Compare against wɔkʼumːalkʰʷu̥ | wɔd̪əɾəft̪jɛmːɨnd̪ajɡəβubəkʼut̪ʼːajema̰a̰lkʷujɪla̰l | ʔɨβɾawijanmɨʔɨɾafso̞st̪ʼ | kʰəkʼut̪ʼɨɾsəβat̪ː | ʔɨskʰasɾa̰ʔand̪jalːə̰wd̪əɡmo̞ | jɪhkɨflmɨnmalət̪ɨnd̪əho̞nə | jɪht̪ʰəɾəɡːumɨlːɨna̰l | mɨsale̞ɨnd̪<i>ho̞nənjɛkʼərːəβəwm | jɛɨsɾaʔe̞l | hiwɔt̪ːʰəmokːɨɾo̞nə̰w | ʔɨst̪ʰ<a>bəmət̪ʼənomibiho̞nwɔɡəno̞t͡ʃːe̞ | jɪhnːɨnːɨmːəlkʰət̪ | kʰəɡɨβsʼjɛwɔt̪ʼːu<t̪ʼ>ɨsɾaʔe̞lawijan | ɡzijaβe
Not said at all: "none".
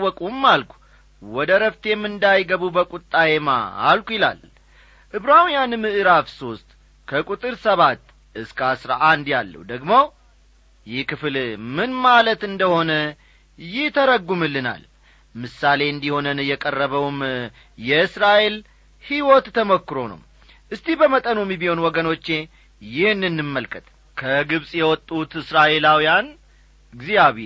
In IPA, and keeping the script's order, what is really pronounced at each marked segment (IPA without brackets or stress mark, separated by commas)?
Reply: i, i, t̪